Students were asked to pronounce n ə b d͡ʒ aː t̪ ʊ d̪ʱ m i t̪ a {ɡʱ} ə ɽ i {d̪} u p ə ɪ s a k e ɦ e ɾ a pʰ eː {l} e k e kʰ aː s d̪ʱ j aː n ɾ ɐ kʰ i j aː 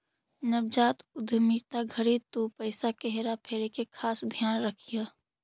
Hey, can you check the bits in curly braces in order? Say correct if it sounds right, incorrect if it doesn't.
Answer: correct, incorrect, incorrect

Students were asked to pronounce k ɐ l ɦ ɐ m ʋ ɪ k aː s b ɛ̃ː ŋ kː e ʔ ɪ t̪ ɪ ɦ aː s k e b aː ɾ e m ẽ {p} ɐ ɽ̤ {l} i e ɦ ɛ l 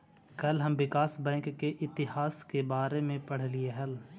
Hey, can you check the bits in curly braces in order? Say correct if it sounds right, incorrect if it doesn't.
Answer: correct, correct

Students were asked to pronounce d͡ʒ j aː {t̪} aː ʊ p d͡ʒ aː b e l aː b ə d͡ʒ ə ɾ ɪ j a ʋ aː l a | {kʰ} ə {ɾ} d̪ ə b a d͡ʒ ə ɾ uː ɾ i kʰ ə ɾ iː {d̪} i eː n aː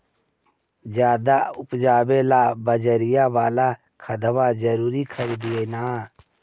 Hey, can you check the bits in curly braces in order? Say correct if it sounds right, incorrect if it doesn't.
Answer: incorrect, correct, incorrect, correct

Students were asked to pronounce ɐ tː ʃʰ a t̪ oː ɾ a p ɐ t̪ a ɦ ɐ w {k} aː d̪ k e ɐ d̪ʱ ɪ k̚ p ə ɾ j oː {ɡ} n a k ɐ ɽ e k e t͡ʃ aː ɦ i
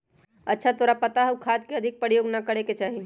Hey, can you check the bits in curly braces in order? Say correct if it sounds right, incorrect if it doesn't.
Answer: incorrect, correct

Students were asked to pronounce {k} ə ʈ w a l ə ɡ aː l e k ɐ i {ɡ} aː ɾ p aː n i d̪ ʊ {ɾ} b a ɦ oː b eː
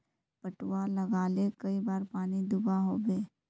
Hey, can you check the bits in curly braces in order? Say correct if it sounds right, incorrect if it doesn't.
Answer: incorrect, incorrect, incorrect

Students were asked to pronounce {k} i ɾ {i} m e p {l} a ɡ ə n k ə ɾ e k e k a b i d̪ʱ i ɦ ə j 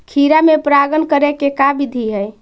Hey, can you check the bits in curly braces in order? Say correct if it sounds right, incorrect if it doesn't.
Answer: incorrect, incorrect, incorrect

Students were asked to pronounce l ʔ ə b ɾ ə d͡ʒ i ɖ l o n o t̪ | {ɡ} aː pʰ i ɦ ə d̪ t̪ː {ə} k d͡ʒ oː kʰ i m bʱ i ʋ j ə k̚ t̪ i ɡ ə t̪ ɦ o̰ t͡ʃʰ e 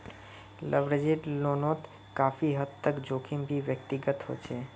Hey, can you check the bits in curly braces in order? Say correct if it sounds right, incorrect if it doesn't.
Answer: incorrect, correct

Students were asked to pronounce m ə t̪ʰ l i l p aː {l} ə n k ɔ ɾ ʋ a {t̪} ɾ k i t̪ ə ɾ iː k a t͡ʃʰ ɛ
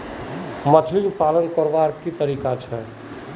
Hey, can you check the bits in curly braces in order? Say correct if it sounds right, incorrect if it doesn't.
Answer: correct, incorrect

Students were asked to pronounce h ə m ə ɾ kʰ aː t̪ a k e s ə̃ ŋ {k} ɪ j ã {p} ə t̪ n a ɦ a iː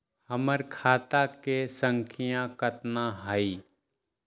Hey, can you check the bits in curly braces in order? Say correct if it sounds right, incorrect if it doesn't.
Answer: incorrect, incorrect

